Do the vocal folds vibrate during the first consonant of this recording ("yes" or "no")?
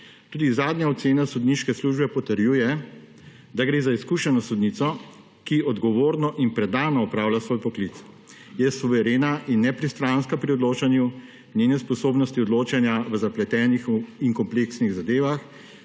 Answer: no